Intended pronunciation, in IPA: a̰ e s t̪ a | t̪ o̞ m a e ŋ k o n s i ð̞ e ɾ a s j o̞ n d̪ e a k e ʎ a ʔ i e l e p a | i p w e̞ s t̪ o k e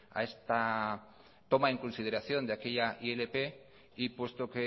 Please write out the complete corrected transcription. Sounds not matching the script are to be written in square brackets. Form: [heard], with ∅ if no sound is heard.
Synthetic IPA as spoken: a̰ e s t̪ a | t̪ o̞ m a e ŋ k o n s i ð̞ e ɾ a [θ] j o̞ n d̪ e a k e ʎ a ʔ i e l e p [e] | i p w e̞ s t̪ o k e

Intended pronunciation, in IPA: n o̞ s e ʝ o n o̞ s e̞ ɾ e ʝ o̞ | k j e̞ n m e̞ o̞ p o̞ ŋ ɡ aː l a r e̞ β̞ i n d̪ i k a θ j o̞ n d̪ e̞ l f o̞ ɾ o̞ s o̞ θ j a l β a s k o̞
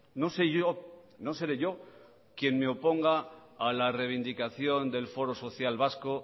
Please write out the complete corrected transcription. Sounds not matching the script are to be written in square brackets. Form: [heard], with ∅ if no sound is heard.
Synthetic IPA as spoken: n o̞ s e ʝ o n o̞ s e̞ ɾ e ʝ o̞ | k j e̞ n m e̞ o̞ p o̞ ŋ ɡ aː l a r e̞ β̞ i n d̪ i k a θ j o̞ n d̪ e̞ l f o̞ ɾ o̞ s o̞ θ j a l β a s k o̞

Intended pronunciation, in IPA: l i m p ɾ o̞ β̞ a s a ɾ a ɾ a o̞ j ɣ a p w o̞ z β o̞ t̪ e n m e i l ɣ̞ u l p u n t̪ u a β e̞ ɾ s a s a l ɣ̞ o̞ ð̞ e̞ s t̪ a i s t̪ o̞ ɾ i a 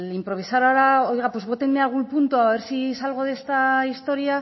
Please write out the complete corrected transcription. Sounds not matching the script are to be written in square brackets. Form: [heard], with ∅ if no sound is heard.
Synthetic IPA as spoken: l i m p ɾ o̞ β̞ [i] s a ɾ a ɾ a o̞ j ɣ a p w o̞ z β o̞ t̪ e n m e [a] l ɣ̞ u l p u n t̪ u a β e̞ ɾ s [i] s a l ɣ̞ o̞ ð̞ e̞ s t̪ a i s t̪ o̞ ɾ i a

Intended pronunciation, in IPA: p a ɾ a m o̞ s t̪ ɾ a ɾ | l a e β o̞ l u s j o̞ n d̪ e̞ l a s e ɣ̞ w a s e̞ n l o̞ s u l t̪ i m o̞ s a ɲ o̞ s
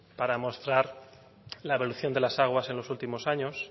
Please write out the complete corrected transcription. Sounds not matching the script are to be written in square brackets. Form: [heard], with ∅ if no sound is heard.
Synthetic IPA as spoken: p a ɾ a m o̞ s t̪ ɾ a ɾ | l a e β o̞ l u [θ] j o̞ n d̪ e̞ l a s [a] ɣ̞ w a s e̞ n l o̞ s u l t̪ i m o̞ s a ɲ o̞ s

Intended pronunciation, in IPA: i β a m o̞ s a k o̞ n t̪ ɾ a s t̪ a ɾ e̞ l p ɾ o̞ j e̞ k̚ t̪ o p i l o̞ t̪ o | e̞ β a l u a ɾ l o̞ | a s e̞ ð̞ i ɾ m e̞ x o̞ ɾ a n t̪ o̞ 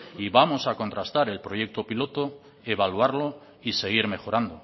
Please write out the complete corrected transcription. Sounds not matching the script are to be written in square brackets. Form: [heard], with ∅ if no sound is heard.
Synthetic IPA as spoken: i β a m o̞ s a k o̞ n t̪ ɾ a s t̪ a ɾ e̞ l p ɾ o̞ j e̞ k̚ t̪ o p i l o̞ t̪ o | e̞ β a l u a ɾ l o̞ | [i] s e̞ [ɣ̞] i ɾ m e̞ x o̞ ɾ a n [d̪] o̞

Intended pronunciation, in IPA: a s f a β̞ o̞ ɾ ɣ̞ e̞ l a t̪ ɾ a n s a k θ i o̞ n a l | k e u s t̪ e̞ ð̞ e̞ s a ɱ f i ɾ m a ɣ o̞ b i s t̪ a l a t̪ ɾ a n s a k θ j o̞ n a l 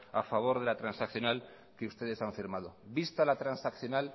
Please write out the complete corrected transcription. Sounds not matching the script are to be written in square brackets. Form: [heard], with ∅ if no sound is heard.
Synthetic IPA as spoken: a [∅] f a β̞ o̞ ɾ [ð̞] e̞ l a t̪ ɾ a n s a k θ [j] o̞ n a l | k e u s t̪ e̞ ð̞ e̞ s a ɱ f i ɾ m a [ð] o̞ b i s t̪ a l a t̪ ɾ a n s a k θ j o̞ n a l

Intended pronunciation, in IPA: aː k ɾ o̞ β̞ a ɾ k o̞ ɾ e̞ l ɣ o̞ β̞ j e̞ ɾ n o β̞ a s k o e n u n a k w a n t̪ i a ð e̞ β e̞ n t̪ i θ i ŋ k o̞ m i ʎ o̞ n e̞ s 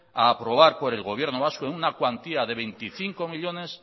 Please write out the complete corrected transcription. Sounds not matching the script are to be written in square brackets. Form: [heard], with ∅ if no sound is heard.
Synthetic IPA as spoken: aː [p] ɾ o̞ β̞ a ɾ [p] o̞ ɾ e̞ l ɣ o̞ β̞ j e̞ ɾ n o β̞ a s k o e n u n a k w a n t̪ i a ð e̞ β e̞ n t̪ i θ i ŋ k o̞ m i ʎ o̞ n e̞ s

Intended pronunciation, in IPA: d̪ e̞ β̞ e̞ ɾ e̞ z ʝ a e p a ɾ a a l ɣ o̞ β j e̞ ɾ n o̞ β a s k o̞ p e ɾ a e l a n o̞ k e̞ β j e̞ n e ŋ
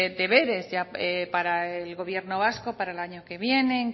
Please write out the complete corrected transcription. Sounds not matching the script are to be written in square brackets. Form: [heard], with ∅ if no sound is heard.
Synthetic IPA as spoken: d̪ e̞ β̞ e̞ ɾ e̞ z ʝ a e p a ɾ a [e] l ɣ o̞ β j e̞ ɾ n o̞ β a s k o̞ p [a] ɾ a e l a [ɲ] o̞ k e̞ β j e̞ n e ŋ

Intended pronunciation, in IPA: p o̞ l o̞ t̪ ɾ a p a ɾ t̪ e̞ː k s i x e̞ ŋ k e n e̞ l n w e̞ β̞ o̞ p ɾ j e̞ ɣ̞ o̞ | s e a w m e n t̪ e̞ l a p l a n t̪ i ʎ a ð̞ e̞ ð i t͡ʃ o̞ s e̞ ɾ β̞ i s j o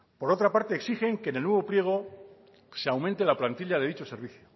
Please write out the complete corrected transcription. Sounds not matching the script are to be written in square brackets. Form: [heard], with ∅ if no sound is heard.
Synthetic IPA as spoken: p o̞ [ɾ] o̞ t̪ ɾ a p a ɾ t̪ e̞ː k s i x e̞ ŋ k e n e̞ l n w e̞ β̞ o̞ p ɾ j e̞ ɣ̞ o̞ | s e a w m e n t̪ e̞ l a p l a n t̪ i ʎ a ð̞ e̞ ð i t͡ʃ o̞ s e̞ ɾ β̞ i [θ] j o

